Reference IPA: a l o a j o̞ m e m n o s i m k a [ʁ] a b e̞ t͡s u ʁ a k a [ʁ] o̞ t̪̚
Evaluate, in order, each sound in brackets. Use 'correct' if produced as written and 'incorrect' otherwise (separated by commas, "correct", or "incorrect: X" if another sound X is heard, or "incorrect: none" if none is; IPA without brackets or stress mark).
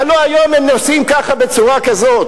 incorrect: χ, incorrect: z